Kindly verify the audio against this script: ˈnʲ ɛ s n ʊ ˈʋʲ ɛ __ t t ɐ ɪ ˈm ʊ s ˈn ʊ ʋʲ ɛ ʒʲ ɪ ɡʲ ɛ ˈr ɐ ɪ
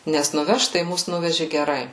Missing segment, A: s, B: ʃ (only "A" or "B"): B